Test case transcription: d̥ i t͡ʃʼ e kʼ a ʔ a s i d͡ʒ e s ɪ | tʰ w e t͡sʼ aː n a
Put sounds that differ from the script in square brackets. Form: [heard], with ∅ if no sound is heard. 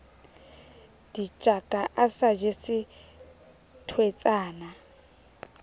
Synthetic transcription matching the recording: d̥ i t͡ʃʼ [a] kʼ a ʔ a s [a] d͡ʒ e s ɪ | tʰ w e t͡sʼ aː n a